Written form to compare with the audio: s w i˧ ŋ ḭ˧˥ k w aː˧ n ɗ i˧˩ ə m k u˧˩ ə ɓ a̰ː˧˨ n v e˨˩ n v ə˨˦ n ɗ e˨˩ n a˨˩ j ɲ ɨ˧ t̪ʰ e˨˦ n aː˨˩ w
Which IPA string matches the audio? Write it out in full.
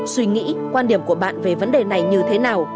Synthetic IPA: s w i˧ ŋ ḭ˧˥ k w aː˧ n ɗ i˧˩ ə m k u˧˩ ə ɓ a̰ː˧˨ n v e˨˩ v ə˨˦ n ɗ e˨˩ n a˨˩ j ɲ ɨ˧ t̪ʰ e˨˦ n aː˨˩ w

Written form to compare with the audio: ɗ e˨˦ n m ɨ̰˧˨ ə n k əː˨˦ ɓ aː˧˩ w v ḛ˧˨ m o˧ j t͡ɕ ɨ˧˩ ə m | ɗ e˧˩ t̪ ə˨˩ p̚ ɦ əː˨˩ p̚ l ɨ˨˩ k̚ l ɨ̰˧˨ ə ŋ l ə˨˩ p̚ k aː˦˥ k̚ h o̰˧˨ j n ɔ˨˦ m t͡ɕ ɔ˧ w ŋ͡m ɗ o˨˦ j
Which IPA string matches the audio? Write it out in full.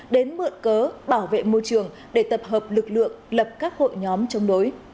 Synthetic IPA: ɗ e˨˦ n m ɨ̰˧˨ ə n k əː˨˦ ɓ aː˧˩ w v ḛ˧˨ m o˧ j t͡ɕ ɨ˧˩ ə ŋ | ɗ e˧˩ t̪ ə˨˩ p̚ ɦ əː˨˩ p̚ l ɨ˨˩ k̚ l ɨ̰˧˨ ə ŋ l ə˨˩ p̚ k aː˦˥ k̚ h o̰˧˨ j ɲ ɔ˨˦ m t͡ɕ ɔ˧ w ŋ͡m ɗ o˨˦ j

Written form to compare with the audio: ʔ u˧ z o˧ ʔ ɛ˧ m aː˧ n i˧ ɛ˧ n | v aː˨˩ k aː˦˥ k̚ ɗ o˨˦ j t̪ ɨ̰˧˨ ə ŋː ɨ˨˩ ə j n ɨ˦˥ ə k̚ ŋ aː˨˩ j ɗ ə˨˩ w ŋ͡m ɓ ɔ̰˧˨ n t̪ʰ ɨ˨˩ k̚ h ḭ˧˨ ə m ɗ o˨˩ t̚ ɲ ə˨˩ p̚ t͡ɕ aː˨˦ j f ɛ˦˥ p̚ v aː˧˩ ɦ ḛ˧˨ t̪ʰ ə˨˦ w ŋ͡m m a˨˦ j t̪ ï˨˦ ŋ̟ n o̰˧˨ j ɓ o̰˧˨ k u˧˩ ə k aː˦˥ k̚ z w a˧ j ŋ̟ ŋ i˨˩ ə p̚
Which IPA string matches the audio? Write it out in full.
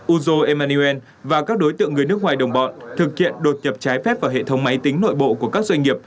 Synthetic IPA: ʔ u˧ z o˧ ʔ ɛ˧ m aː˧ n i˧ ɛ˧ n | v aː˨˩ k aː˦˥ k̚ ɗ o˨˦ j t̪ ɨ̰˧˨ ə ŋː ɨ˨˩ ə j n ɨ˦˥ ə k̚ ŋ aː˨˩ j ɗ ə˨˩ w ŋ͡m ɓ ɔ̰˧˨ n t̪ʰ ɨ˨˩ k̚ h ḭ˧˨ ə n ɗ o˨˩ t̚ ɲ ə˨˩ p̚ t͡ɕ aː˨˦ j f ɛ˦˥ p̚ v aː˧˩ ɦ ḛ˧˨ t̪ʰ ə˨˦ w ŋ͡m m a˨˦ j t̪ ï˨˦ ŋ̟ n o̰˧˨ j ɓ o̰˧˨ k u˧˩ ə k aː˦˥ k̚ z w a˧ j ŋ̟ ŋ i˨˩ ə p̚

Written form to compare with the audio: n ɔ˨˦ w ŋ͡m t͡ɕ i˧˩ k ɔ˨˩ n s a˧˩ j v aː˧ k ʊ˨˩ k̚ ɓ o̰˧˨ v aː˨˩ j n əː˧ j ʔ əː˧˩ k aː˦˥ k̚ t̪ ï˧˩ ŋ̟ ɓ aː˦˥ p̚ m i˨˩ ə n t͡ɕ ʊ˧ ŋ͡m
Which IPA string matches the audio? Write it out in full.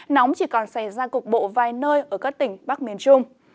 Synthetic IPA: n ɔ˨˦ w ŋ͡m t͡ɕ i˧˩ k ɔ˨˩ n s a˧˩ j z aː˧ k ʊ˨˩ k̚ ɓ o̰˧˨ v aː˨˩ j n əː˧ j ʔ əː˧˩ k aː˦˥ k̚ t̪ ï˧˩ ŋ̟ ɓ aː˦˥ k̚ m i˨˩ ə n t͡ɕ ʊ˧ ŋ͡m

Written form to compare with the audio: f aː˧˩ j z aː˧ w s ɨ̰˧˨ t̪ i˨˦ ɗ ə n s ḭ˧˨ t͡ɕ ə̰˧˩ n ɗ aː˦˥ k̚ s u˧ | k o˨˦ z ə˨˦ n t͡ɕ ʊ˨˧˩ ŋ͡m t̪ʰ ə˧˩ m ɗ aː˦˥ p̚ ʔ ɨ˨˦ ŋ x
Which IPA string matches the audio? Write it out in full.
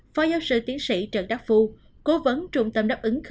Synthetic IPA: f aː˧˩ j z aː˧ w s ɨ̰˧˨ t̪ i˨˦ ə n s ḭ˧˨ t͡ɕ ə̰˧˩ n ɗ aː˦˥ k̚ f u˧ | k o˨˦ v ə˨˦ n t͡ɕ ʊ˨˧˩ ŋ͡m t̪ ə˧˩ m ɗ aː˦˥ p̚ ʔ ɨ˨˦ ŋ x

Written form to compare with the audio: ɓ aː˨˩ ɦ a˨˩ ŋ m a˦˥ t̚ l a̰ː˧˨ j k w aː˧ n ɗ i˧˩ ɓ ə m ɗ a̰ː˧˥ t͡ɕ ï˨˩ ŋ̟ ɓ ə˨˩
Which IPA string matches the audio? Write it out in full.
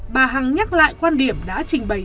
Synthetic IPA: ɓ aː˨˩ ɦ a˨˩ ŋ ɲ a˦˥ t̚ l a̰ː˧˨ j k w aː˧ n ɗ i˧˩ ə m ɗ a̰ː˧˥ t͡ɕ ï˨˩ ŋ̟ ɓ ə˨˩

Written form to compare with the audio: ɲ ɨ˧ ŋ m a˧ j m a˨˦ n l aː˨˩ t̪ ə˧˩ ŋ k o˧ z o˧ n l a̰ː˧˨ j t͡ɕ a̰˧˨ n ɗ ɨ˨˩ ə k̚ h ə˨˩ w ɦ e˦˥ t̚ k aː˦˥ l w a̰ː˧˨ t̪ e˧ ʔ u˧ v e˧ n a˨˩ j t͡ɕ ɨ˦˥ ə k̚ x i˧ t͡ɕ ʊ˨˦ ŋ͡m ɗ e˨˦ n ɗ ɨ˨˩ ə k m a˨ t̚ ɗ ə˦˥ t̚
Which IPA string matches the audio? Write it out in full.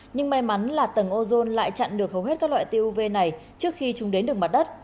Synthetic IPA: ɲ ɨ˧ ŋ m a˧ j m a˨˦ n l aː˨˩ t̪ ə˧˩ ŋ ʔ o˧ z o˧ n l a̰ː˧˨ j t͡ɕ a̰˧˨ n ɗ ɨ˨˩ ə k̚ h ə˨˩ w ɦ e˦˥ t̚ k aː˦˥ l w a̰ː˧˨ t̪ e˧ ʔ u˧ v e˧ n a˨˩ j t͡ɕ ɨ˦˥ ə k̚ x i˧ t͡ɕ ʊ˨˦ ŋ͡m ɗ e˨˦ n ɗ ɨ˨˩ ə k m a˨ t̚ ɗ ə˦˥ t̚

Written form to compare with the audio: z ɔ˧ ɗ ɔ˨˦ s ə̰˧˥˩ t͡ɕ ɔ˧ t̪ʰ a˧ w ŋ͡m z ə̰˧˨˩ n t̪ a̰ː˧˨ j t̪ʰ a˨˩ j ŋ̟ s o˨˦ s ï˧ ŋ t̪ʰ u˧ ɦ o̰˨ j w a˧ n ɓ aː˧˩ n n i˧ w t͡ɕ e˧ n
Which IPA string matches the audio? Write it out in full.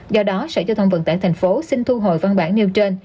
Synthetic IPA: z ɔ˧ ɗ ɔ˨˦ s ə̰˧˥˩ t͡ɕ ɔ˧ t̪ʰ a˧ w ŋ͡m v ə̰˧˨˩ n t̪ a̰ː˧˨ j t̪ʰ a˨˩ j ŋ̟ f o˨˦ s ï˧ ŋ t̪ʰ u˧ ɦ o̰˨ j v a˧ n ɓ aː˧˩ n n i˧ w t͡ɕ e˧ n

